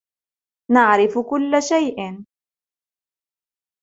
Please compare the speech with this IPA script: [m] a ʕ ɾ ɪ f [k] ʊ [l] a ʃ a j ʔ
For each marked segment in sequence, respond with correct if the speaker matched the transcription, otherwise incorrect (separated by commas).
incorrect, correct, incorrect